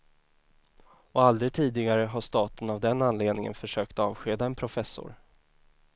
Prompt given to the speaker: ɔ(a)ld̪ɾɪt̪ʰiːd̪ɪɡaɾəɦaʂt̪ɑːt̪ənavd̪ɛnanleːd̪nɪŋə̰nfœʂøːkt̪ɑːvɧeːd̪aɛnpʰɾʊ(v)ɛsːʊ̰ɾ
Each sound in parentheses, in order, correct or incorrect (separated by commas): correct, incorrect